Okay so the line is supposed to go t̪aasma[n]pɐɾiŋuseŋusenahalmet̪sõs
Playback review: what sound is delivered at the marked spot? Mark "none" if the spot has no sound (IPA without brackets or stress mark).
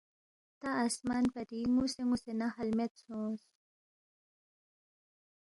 n